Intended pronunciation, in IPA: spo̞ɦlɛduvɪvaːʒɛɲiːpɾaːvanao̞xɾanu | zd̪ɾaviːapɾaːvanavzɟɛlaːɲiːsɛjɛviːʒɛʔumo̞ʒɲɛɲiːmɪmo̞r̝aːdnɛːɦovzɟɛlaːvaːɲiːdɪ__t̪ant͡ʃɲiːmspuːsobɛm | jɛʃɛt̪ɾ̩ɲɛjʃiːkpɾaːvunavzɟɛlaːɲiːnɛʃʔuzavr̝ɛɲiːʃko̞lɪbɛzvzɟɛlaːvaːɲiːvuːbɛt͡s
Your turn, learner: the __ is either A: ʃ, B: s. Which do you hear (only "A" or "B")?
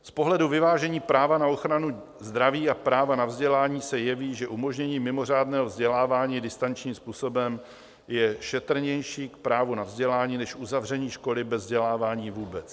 B